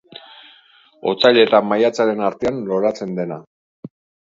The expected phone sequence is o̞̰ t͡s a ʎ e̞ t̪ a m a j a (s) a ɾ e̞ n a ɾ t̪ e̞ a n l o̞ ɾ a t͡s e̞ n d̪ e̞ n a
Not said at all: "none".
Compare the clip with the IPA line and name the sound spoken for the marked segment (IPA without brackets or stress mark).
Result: t͡s